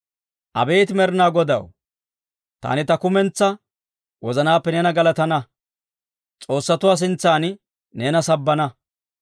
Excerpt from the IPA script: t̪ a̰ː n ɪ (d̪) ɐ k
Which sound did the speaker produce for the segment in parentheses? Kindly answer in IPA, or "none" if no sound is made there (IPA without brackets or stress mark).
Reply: t̪